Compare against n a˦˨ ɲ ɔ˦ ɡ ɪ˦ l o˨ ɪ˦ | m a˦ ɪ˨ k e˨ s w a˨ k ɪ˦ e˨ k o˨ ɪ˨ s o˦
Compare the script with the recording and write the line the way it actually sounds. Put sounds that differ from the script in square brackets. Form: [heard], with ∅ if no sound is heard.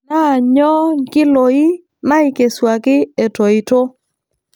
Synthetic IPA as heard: n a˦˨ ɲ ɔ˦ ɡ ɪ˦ l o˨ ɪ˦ | m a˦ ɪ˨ k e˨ s w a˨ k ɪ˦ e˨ [t] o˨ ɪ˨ [t] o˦